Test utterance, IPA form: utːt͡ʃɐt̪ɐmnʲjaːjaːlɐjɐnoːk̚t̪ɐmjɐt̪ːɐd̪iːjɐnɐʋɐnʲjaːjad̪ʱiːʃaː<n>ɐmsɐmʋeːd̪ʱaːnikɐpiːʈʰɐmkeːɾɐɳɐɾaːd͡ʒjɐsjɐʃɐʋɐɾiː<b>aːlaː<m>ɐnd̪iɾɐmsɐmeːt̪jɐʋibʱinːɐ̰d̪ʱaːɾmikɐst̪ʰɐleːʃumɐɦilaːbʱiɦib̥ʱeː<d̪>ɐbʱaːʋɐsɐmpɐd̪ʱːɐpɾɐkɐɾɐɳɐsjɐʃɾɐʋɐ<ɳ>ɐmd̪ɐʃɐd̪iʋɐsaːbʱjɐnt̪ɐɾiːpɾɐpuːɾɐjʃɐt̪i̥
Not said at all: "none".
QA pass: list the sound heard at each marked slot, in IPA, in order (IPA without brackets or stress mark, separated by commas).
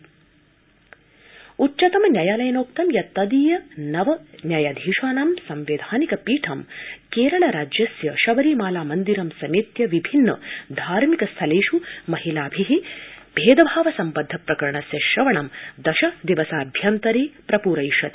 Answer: n, m, m, d̪, ɳ